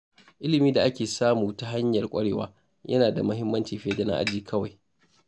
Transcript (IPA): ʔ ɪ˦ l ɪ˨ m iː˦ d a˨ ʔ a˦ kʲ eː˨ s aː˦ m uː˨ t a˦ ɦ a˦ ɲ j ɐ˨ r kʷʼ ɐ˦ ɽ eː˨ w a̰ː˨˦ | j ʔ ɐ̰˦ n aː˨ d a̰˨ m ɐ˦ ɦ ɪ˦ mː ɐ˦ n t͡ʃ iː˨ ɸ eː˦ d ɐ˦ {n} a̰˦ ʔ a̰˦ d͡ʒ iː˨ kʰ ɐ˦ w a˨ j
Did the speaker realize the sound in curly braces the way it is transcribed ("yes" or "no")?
yes